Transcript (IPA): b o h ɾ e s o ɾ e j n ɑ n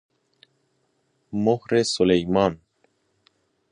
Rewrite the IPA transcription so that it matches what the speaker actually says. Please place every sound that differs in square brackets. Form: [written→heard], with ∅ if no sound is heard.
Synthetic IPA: [b→m] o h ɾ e s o [ɾ→l] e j [n→m] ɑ n